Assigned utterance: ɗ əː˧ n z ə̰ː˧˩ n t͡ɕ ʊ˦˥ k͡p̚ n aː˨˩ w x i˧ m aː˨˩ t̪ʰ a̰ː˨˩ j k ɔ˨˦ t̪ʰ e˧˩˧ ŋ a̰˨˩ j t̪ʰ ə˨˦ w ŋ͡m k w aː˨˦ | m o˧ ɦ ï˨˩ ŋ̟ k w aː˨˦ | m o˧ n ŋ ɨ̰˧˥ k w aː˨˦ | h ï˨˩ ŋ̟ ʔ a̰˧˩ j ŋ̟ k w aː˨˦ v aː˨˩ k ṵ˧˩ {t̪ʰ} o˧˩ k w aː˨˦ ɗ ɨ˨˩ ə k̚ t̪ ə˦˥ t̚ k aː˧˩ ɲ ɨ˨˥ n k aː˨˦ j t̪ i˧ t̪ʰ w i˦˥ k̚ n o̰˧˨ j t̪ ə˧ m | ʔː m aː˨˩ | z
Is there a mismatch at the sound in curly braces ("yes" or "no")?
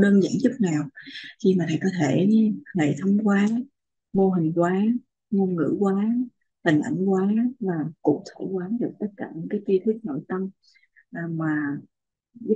no